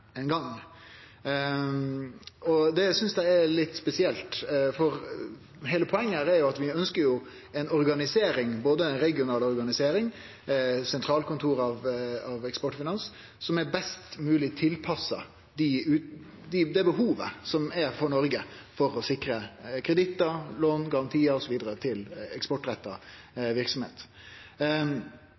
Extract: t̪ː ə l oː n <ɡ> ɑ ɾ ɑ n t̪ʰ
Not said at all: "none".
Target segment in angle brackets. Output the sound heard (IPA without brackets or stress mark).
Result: ɡ